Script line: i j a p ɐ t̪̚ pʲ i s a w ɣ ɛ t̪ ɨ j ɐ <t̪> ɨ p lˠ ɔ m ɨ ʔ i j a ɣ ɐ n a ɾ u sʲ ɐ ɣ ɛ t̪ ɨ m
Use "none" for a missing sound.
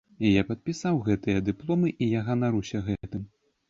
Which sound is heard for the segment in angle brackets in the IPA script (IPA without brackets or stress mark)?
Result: d̪